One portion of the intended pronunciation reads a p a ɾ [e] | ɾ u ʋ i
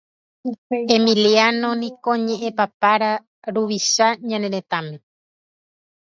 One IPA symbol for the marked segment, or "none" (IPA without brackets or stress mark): a